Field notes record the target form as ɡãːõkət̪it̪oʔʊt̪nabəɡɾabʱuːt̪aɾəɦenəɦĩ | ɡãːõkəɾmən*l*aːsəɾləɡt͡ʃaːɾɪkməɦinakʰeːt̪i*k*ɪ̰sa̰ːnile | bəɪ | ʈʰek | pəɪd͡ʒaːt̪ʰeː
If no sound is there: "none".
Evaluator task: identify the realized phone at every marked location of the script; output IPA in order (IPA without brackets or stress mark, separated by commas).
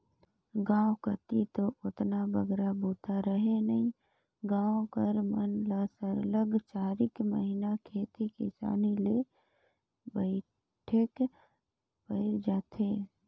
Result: l, k